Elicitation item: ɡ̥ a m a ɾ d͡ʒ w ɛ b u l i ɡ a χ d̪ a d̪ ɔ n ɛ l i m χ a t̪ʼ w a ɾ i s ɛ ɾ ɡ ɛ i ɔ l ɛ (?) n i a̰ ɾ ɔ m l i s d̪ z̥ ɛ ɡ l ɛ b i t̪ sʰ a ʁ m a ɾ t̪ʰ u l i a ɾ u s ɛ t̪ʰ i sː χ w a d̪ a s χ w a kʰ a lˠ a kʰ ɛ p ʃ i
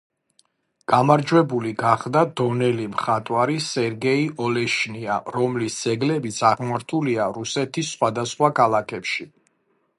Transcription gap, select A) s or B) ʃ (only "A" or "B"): B